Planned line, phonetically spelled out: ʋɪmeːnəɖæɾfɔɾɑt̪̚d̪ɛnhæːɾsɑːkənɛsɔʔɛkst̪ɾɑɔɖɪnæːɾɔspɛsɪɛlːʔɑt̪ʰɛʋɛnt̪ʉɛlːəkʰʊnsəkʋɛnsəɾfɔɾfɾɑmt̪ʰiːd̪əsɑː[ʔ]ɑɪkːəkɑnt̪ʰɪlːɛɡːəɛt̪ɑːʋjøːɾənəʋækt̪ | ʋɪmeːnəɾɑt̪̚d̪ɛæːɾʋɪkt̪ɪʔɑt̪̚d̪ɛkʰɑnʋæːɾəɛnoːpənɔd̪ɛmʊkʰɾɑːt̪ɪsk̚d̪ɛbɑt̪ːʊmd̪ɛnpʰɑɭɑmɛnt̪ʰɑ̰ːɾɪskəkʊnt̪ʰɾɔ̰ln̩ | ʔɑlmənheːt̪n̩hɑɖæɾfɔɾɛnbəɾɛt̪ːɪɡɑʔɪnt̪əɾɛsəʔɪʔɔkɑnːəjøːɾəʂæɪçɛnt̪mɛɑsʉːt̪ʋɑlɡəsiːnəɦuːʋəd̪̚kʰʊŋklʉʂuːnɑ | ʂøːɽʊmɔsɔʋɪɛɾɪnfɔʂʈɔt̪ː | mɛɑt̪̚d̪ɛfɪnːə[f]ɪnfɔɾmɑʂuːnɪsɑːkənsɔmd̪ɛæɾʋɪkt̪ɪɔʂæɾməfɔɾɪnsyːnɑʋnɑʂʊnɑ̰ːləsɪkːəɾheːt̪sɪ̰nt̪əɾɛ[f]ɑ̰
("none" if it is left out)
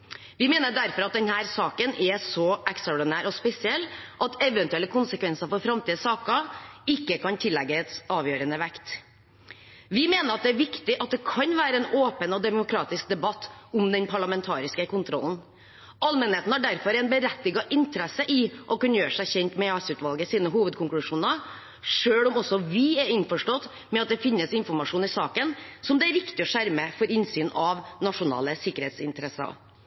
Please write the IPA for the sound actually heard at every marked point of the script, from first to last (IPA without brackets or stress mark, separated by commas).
k, s, s